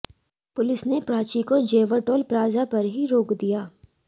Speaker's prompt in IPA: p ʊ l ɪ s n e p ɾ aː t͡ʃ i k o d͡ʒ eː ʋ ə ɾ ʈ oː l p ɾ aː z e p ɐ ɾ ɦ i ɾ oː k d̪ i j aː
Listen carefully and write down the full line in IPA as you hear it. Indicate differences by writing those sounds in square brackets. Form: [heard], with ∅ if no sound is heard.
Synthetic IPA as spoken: p ʊ l ɪ s n e p ɾ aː t͡ʃ i k o d͡ʒ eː ʋ ə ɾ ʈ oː l p ɾ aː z [a] p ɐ ɾ ɦ i ɾ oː k d̪ i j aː